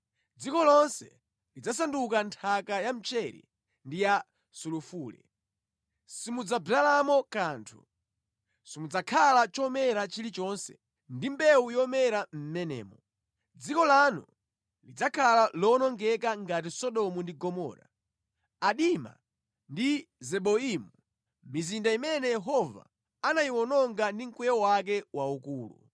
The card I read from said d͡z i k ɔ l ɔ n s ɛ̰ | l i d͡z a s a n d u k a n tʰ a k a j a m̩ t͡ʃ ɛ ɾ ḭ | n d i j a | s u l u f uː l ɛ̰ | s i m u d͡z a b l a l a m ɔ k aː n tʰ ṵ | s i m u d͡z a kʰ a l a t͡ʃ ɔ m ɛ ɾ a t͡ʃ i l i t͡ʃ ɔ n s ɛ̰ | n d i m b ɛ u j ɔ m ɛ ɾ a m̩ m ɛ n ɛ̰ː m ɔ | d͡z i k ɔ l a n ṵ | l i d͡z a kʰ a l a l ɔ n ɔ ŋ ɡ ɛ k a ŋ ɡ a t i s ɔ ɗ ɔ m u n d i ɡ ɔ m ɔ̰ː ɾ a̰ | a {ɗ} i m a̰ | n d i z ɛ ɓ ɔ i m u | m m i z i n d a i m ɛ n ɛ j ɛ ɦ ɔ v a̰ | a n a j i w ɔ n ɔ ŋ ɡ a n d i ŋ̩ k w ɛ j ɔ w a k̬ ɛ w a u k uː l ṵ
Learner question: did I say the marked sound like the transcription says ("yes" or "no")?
yes